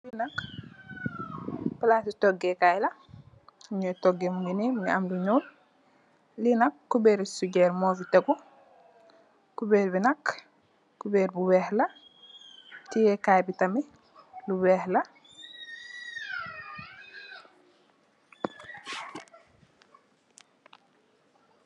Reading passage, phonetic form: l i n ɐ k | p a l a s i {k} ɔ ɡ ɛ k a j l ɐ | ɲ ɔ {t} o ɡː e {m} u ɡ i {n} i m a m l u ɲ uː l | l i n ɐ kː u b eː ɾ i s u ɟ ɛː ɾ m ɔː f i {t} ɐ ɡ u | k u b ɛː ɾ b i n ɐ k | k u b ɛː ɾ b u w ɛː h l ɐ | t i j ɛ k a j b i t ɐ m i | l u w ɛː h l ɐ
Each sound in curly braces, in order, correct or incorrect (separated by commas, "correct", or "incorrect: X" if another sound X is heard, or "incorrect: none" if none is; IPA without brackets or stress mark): incorrect: t, correct, correct, correct, correct